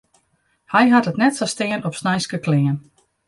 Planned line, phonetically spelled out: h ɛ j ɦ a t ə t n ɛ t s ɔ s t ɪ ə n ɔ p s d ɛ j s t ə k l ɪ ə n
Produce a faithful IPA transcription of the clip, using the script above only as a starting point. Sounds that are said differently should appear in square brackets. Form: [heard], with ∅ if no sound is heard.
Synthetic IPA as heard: h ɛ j ɦ a t ə t n ɛ t s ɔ s t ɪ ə n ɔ p s [n] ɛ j s [k] ə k l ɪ ə n

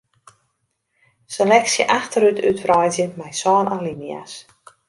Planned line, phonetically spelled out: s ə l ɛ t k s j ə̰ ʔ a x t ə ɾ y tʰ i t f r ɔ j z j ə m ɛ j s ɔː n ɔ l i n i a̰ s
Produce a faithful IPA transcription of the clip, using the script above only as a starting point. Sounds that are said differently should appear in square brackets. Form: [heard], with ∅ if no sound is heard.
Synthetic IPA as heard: s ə l ɛ [∅] k s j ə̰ ʔ a x t ə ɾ y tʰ [y] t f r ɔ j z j ə m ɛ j s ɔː n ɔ l i n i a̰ s

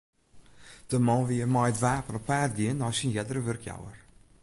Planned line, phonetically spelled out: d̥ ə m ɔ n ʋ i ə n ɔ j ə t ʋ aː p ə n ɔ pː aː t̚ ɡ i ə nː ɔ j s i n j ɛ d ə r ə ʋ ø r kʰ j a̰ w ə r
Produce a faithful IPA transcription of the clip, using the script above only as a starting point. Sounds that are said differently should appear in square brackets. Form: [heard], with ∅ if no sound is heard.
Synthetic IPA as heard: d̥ ə m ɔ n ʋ i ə [m] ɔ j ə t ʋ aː p ə n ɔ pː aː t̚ ɡ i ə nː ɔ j s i n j ɛ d ə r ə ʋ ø r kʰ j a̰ w ə r

